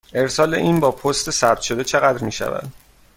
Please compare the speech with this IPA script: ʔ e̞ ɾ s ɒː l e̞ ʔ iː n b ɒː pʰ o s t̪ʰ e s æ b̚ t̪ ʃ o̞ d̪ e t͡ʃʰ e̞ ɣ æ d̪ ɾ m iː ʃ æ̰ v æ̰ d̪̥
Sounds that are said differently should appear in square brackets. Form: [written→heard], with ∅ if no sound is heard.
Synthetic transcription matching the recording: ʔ e̞ ɾ s ɒː l e̞ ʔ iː n b ɒː pʰ o s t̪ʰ e s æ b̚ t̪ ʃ o̞ d̪ e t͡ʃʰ e̞ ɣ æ d̪ ɾ m iː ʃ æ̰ v æ̰ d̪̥